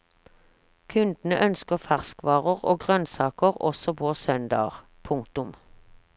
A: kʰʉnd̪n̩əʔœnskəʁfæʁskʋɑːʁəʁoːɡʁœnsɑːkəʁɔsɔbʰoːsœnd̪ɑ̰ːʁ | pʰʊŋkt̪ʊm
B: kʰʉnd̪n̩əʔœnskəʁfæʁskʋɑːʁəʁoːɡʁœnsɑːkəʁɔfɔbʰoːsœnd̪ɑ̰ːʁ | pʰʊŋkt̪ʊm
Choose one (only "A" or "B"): A